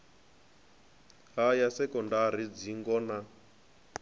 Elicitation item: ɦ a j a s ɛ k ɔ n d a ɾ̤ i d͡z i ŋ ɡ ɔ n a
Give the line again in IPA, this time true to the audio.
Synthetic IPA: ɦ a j a s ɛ k ɔ n d a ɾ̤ i d͡z i ŋ ɡ ɔ n a